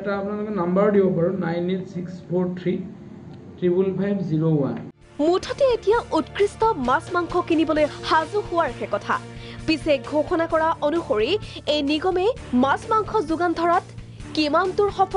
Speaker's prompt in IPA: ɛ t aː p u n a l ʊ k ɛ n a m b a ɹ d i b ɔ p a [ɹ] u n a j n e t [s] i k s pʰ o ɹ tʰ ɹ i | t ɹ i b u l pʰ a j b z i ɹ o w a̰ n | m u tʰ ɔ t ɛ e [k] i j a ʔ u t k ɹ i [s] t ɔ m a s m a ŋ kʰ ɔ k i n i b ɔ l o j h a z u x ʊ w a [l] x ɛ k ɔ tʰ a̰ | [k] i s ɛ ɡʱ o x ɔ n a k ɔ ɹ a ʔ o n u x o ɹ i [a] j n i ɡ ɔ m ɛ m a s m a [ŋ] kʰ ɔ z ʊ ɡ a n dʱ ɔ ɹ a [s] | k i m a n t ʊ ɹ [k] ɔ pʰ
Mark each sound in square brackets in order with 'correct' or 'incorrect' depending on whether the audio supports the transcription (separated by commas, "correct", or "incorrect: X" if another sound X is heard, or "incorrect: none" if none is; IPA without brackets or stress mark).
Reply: correct, correct, incorrect: t, correct, incorrect: ɹ, incorrect: p, incorrect: e, correct, incorrect: t, incorrect: x